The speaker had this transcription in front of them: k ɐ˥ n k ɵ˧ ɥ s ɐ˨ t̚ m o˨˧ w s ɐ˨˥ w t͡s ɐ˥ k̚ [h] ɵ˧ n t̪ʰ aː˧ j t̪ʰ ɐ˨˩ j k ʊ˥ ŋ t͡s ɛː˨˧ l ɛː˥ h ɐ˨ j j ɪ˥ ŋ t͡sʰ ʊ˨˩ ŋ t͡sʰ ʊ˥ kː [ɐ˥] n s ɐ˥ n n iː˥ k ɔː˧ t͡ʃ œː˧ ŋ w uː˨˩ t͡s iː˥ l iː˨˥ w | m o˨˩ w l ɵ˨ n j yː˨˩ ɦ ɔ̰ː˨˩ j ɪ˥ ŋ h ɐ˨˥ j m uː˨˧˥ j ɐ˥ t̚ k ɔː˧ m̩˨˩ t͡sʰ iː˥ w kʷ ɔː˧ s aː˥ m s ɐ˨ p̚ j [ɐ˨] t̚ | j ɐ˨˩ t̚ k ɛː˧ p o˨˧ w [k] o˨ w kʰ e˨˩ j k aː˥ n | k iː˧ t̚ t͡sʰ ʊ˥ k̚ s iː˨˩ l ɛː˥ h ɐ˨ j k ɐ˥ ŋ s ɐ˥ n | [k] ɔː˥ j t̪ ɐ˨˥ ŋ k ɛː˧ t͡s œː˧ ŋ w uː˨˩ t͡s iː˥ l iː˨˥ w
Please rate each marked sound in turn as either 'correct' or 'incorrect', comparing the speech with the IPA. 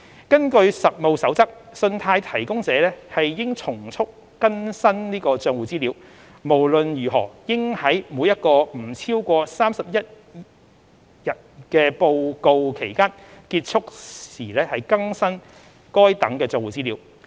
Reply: incorrect, correct, incorrect, correct, correct

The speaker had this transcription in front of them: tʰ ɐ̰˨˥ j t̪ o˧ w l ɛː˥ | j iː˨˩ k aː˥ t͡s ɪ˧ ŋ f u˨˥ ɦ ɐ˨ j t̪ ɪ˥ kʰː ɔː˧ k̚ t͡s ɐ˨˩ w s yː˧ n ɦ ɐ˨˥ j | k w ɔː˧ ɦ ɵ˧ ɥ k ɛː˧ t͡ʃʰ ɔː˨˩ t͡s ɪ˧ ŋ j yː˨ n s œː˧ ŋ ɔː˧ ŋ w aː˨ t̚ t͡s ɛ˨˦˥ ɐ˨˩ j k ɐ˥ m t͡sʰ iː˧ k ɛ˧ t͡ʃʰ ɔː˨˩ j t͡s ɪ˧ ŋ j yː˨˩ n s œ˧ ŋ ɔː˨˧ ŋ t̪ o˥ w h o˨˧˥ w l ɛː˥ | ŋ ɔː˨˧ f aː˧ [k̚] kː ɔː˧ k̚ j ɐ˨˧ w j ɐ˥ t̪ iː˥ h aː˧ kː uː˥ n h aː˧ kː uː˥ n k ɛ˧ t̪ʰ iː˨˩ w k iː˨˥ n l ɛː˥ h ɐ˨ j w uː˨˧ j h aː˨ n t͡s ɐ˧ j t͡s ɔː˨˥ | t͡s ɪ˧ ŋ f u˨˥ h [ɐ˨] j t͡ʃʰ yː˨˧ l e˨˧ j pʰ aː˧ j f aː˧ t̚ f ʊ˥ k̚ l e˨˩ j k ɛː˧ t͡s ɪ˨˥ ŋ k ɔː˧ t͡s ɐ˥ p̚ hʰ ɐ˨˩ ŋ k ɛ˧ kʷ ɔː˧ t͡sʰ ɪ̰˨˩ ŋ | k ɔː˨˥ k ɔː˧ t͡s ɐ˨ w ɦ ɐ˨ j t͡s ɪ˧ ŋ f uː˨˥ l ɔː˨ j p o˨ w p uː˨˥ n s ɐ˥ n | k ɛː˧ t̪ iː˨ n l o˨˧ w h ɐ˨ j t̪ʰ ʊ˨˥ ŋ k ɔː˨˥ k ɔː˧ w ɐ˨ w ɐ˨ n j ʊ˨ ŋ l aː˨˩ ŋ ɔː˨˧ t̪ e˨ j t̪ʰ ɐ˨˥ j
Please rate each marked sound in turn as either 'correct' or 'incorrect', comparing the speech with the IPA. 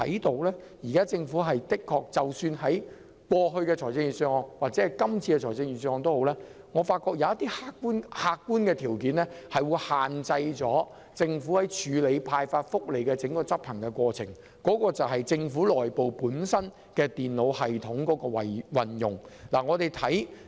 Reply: incorrect, incorrect

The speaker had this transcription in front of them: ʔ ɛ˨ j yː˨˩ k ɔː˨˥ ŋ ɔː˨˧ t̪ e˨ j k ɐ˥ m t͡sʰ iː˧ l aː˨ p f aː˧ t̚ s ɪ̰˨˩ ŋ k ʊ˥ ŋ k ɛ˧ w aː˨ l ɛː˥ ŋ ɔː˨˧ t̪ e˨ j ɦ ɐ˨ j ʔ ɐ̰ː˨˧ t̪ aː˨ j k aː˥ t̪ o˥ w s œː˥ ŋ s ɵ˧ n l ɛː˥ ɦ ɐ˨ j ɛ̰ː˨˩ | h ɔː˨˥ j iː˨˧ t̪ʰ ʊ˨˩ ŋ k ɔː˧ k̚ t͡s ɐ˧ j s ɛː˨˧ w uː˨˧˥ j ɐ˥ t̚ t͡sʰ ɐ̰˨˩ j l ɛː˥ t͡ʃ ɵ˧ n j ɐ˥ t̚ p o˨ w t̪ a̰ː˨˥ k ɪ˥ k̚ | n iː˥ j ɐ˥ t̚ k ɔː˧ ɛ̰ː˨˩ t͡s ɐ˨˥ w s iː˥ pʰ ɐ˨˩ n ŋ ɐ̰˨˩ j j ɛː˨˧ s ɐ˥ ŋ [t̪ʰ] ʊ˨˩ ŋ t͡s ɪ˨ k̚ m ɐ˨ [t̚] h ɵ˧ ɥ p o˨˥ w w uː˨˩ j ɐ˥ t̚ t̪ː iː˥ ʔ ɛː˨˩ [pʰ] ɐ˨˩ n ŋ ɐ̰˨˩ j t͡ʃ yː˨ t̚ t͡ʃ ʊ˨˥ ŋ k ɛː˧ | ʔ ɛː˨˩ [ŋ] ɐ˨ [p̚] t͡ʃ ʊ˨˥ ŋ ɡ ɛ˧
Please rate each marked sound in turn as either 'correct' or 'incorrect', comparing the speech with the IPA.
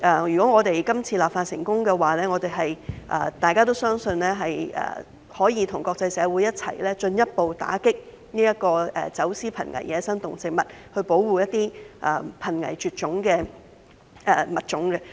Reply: incorrect, correct, correct, incorrect, incorrect

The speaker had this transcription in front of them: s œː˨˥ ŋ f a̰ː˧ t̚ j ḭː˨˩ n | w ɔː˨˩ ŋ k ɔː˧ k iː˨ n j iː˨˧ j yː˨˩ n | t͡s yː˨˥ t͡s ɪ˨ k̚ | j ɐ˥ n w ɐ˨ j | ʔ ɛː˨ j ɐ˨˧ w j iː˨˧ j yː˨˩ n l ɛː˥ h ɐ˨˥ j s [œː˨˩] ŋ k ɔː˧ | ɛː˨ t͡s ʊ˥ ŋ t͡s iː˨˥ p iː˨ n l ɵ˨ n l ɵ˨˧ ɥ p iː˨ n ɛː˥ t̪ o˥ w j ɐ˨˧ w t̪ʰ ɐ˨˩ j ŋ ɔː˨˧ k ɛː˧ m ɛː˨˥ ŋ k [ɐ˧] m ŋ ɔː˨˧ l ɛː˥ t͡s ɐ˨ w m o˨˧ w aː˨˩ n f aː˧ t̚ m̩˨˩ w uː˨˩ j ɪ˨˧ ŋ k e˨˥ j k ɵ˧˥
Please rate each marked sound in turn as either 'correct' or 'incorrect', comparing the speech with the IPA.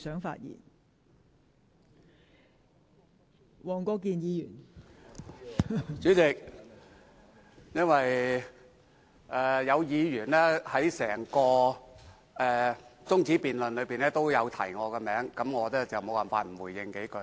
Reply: incorrect, incorrect

